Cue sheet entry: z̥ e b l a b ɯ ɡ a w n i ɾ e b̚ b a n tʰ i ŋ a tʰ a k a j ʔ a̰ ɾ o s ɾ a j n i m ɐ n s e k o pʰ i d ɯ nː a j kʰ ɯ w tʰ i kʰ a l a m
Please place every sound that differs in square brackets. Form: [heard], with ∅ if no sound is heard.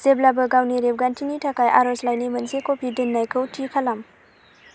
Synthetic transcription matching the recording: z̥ e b l a b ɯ ɡ a w n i ɾ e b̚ [ɡ] a n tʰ i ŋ [i] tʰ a k a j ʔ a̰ ɾ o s [l] a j n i m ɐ n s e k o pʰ i d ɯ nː a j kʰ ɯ w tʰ i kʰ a l a m